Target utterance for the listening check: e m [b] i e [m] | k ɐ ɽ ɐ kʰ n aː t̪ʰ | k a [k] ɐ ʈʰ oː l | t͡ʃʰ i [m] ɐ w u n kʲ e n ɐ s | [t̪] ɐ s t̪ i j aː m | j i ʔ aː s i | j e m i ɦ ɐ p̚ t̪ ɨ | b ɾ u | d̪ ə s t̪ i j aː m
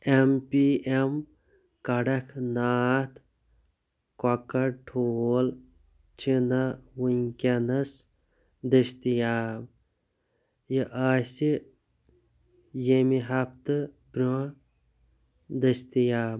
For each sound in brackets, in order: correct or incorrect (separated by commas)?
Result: incorrect, correct, correct, incorrect, incorrect